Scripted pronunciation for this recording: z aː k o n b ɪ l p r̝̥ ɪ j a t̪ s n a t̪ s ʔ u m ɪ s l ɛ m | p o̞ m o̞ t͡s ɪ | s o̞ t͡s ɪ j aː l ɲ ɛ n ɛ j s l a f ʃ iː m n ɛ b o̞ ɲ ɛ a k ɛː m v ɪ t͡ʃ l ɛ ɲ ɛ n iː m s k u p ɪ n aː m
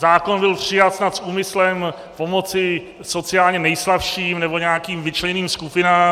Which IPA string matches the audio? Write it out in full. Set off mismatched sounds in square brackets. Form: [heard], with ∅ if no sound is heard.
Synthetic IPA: z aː k o n b ɪ l p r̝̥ ɪ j a t̪ s n a t̪ s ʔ [uː] m ɪ s l ɛ m | p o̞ m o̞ t͡s ɪ | s o̞ t͡s ɪ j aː l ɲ ɛ n ɛ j s l a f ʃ iː m n ɛ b o̞ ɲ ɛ a k [iː] m v ɪ t͡ʃ l ɛ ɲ ɛ n iː m s k u p ɪ n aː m

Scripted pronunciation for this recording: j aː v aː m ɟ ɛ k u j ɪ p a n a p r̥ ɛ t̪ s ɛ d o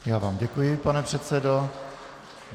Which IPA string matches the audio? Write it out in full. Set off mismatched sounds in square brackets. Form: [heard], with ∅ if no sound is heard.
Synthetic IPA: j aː v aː m ɟ ɛ k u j ɪ p a n [ɛ] p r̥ ɛ t̪ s ɛ d o

